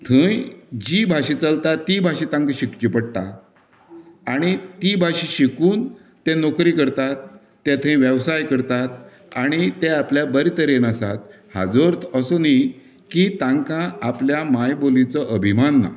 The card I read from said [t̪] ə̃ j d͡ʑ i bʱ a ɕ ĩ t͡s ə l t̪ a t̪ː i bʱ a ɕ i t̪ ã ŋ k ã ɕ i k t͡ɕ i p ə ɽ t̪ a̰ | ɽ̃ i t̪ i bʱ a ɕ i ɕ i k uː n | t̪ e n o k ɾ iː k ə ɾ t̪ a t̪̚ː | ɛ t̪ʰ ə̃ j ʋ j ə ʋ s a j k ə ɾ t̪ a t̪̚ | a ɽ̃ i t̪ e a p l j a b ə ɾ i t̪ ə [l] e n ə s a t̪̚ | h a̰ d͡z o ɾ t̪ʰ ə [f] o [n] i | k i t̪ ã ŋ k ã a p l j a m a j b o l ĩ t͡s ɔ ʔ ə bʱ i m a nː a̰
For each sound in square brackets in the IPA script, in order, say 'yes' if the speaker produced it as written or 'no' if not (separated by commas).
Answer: no, no, no, yes